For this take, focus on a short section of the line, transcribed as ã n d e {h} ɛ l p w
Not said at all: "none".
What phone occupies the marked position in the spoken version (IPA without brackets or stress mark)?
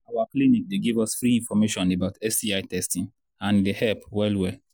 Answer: h